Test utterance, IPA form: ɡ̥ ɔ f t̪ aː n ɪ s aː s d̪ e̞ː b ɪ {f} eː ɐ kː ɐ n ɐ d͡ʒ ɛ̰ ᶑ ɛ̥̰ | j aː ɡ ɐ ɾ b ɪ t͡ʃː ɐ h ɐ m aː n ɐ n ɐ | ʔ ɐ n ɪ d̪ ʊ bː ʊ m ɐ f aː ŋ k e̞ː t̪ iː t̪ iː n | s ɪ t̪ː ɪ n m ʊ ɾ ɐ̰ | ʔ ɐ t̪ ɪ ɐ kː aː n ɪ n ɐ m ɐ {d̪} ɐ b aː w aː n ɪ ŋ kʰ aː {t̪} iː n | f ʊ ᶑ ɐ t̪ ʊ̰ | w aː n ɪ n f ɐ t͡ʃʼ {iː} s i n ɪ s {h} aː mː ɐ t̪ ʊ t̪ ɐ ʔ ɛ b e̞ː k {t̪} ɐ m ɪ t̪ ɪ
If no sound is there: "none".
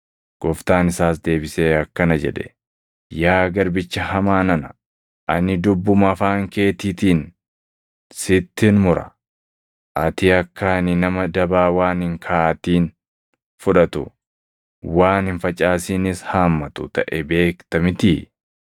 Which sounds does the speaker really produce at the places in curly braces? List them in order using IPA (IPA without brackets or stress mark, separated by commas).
s, d̪, t̪, aː, h, t̪